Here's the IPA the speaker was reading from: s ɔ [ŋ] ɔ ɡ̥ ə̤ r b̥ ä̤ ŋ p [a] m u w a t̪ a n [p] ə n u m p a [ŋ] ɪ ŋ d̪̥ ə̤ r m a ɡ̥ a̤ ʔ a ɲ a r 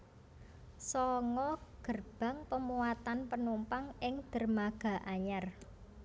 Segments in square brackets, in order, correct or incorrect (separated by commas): correct, incorrect, correct, correct